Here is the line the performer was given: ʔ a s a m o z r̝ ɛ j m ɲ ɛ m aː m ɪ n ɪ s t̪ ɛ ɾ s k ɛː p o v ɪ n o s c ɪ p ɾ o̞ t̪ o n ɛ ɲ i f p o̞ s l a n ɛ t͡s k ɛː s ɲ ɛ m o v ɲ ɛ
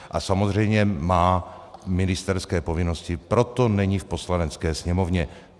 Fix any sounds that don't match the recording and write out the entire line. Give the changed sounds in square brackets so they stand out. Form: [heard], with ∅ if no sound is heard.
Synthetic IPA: ʔ a s a m o z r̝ ɛ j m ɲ ɛ m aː m ɪ n ɪ s t̪ ɛ ɾ s k ɛː p o v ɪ n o s c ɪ p ɾ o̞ t̪ o n ɛ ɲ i f p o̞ s l a n ɛ t͡s k ɛː s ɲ ɛ m o v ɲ ɛ